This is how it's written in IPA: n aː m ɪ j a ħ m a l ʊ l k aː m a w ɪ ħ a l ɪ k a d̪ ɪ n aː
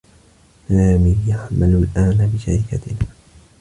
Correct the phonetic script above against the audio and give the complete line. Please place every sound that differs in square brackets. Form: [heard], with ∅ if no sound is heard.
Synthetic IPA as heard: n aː m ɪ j a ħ m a l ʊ l [ʔ] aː [n] a [b] ɪ [ʃ] a [ɾ] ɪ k a [t̪] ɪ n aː